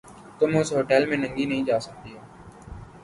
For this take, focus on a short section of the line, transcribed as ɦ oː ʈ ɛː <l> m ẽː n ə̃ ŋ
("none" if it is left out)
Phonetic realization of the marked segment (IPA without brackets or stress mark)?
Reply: l